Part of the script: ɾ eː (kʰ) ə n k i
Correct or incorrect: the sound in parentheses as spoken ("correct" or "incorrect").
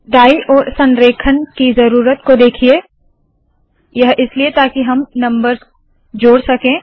correct